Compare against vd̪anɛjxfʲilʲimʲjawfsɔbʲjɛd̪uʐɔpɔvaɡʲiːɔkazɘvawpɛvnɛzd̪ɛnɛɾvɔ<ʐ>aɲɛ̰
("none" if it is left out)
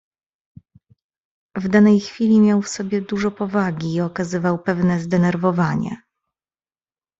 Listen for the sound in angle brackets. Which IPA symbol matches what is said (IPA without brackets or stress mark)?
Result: v